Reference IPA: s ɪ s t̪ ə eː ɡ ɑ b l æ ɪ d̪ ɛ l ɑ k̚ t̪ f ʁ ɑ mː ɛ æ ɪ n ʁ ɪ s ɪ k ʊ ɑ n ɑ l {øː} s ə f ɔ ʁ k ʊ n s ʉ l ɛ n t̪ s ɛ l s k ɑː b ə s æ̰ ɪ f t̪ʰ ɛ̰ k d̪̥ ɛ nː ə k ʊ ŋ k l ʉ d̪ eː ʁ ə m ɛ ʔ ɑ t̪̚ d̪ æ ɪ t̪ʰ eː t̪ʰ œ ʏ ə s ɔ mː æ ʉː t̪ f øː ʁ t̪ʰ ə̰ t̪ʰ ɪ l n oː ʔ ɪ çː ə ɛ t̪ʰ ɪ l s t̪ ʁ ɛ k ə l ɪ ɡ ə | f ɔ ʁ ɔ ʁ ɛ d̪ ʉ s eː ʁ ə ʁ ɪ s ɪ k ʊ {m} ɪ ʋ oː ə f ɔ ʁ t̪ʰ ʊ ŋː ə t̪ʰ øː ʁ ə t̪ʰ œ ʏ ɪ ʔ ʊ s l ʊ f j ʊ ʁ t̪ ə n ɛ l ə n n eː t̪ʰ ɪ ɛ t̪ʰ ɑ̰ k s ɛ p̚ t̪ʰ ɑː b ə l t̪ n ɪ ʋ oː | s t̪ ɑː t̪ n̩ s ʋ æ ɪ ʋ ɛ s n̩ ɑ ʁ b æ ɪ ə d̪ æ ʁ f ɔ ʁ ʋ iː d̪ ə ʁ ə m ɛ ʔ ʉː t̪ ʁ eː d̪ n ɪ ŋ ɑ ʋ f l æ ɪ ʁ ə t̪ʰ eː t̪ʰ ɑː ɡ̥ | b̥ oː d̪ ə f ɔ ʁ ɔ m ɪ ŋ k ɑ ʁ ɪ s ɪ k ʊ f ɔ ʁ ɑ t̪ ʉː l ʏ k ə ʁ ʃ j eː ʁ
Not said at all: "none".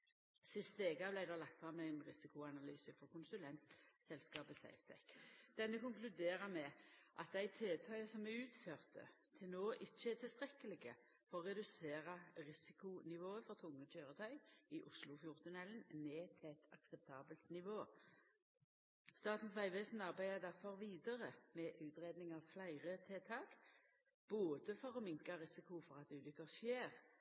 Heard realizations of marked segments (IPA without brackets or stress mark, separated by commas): yː, n